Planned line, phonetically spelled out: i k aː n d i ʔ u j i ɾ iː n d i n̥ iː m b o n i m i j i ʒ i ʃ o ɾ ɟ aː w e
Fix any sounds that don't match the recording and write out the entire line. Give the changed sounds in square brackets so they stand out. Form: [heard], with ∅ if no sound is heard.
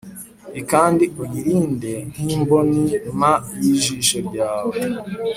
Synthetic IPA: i k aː n d i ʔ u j i ɾ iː n d [e] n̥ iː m b o n i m [a] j i ʒ i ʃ o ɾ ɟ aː w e